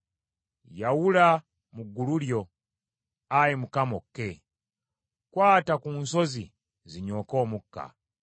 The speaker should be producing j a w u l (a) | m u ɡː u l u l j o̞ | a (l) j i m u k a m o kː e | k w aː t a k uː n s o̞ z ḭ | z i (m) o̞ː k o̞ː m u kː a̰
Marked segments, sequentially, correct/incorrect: correct, incorrect, incorrect

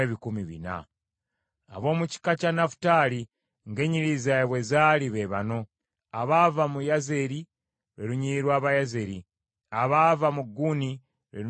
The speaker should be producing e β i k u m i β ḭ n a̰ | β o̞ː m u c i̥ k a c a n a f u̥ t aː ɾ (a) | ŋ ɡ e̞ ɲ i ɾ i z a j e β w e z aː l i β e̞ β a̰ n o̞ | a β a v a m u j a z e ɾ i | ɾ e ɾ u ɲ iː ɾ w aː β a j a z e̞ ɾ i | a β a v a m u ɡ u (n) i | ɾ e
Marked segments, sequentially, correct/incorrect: incorrect, correct

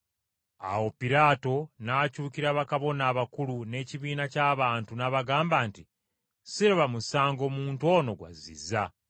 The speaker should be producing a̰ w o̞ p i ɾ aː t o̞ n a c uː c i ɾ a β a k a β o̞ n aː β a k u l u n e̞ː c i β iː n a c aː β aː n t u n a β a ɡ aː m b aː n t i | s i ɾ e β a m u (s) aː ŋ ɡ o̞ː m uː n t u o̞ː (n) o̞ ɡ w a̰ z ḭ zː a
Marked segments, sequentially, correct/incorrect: correct, correct

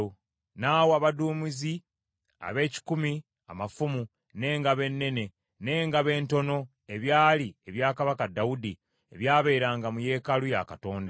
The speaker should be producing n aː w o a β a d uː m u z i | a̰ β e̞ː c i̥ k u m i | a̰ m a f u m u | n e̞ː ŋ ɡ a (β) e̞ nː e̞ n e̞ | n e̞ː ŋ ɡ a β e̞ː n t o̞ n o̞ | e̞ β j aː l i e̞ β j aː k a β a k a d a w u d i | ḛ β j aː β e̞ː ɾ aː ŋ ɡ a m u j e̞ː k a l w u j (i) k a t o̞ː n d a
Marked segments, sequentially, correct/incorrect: correct, incorrect

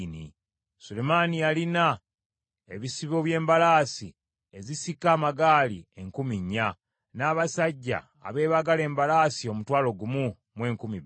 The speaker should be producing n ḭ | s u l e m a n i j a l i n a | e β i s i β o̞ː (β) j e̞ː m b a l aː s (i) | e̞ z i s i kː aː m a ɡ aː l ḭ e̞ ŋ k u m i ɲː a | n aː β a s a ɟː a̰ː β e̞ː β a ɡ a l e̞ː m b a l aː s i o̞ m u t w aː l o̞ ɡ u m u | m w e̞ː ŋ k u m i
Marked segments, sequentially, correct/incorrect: correct, correct

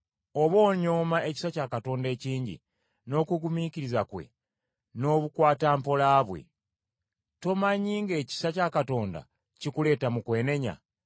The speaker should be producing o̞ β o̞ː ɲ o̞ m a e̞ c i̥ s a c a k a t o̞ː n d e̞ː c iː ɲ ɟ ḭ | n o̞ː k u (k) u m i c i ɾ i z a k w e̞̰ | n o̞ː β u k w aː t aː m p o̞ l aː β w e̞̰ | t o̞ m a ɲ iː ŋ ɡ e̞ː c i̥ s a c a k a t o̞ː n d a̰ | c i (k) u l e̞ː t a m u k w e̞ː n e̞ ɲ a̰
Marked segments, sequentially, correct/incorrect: incorrect, correct

